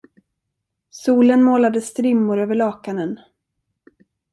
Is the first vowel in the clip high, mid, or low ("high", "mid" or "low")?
high